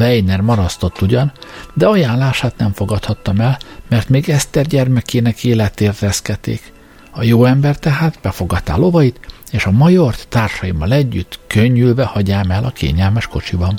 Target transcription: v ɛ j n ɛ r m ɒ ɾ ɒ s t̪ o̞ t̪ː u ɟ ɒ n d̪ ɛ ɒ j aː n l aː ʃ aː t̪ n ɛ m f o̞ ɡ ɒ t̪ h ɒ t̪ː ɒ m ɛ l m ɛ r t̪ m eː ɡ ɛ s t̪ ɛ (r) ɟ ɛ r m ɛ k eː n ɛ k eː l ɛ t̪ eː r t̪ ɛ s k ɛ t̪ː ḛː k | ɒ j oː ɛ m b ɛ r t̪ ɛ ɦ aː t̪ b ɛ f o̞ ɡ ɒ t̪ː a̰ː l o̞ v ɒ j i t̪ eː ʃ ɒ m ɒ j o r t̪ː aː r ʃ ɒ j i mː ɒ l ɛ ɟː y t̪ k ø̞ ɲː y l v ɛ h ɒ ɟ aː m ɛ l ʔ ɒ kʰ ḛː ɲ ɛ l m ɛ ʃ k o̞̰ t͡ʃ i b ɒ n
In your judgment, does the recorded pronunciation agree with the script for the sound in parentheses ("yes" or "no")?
yes